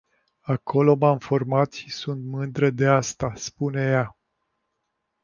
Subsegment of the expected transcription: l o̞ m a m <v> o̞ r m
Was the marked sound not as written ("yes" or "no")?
yes